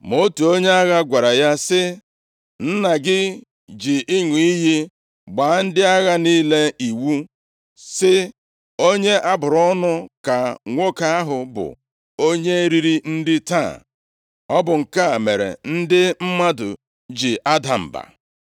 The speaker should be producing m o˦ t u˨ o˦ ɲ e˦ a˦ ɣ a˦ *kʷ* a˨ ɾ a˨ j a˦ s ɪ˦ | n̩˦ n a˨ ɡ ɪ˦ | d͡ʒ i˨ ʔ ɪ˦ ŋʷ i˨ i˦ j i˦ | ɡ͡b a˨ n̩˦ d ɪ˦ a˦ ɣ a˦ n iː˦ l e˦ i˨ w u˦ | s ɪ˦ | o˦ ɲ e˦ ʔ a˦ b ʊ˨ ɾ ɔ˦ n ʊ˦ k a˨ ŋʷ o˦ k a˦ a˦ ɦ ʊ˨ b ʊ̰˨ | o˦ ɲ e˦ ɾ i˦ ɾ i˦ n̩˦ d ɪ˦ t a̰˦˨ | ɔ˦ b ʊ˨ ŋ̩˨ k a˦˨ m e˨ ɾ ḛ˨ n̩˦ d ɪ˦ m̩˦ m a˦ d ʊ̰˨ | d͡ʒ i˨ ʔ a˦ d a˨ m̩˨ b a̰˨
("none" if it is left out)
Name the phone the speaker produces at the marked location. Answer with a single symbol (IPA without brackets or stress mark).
ɡʷ